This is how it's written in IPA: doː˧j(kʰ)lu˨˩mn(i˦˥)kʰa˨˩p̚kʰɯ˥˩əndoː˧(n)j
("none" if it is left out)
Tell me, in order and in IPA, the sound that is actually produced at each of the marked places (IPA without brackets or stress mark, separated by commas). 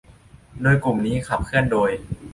k, iː˦˥, none